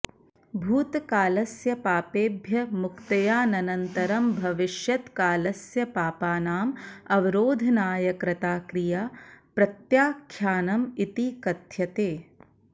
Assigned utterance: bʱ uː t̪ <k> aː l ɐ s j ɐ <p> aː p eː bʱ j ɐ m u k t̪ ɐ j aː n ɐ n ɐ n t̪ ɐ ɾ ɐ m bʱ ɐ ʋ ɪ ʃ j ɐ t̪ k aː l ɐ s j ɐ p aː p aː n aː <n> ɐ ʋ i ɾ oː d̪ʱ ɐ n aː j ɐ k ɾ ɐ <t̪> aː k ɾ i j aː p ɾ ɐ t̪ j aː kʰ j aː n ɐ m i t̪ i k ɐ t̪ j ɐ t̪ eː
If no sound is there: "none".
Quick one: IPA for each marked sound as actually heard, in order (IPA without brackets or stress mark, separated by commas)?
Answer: k, p, m, t̪